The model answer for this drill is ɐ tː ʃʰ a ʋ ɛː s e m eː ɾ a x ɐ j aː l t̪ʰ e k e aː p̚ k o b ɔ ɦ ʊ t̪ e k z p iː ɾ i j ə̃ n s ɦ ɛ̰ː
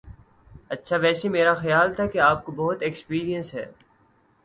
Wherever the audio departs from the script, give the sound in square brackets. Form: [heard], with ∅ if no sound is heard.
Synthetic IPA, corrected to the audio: ɐ tː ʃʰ a ʋ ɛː s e m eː ɾ a x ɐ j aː l t̪ʰ [a] k e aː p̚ k o b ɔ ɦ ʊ t̪ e k [s] p iː ɾ i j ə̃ n s ɦ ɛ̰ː